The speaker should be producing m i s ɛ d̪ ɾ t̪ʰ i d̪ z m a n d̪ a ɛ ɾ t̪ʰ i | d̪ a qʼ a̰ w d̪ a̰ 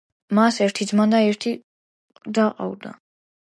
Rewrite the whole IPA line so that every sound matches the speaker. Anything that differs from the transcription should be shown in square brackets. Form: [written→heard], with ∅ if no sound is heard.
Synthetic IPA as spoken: m [i→a] s ɛ [d̪→∅] ɾ t̪ʰ i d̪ z m a n d̪ a ɛ ɾ t̪ʰ i | d̪ a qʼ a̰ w d̪ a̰